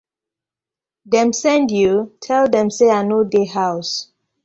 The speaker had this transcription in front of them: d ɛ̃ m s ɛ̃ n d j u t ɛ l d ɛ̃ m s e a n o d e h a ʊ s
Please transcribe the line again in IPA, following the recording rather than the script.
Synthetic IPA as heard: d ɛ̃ m s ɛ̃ n d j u tʰ ɛ l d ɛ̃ m s e a n o d e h a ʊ s